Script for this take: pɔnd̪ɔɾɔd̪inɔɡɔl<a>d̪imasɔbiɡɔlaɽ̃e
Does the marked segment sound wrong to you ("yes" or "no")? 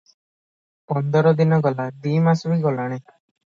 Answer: no